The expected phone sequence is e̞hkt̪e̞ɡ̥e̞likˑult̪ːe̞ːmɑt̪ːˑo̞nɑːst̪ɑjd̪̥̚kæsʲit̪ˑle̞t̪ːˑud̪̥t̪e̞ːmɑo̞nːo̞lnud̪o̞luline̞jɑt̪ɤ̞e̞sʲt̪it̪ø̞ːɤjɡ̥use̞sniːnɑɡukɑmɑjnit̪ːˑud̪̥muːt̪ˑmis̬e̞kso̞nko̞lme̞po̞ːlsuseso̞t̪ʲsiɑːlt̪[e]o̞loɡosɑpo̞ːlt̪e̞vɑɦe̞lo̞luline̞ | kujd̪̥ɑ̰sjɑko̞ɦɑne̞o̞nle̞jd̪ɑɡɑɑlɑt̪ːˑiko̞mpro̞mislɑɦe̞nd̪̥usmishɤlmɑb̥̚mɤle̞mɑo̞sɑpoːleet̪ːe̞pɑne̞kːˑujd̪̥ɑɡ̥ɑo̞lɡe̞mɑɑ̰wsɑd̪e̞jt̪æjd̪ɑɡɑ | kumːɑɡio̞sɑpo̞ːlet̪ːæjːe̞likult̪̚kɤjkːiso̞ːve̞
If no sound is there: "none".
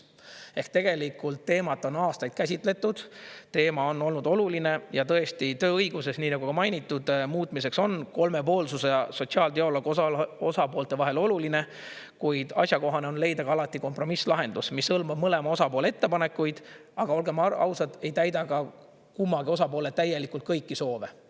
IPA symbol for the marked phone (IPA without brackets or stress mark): e